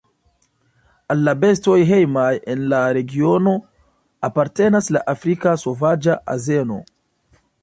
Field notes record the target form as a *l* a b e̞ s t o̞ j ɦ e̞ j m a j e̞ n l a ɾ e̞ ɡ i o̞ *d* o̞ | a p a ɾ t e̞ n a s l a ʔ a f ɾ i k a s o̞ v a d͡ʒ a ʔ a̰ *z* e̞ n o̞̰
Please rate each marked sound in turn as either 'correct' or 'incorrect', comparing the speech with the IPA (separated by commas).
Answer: incorrect, incorrect, correct